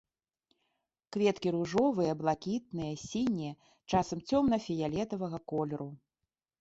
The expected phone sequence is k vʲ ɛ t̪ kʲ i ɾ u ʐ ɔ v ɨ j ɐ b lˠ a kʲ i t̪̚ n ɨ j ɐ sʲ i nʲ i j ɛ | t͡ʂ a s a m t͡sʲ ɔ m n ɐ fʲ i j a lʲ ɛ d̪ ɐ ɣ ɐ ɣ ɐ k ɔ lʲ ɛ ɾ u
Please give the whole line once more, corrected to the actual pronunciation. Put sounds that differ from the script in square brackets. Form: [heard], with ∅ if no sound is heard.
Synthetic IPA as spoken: k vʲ ɛ t̪ kʲ i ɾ u ʐ ɔ v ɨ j ɐ b lˠ a kʲ i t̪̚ n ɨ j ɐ sʲ i nʲ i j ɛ | t͡ʂ a s [ɐ] m t͡sʲ ɔ m n ɐ fʲ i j a lʲ ɛ [t̪] ɐ [v] ɐ ɣ ɐ k ɔ lʲ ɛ ɾ u